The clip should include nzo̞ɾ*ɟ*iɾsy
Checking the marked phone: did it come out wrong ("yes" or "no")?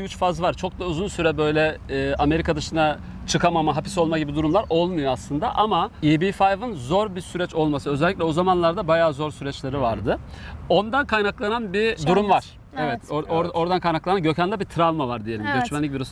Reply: yes